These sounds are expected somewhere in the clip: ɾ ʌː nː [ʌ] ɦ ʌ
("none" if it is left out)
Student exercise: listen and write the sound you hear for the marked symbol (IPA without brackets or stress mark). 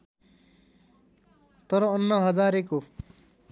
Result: ʌ